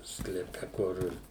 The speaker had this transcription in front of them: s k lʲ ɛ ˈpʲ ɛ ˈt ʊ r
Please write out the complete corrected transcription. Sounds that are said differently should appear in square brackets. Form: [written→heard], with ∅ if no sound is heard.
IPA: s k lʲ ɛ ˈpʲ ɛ [ˈt→ˈk] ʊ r